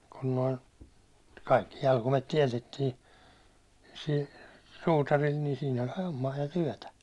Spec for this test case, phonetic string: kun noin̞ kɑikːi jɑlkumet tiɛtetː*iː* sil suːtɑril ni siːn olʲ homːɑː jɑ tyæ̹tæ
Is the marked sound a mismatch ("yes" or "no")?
no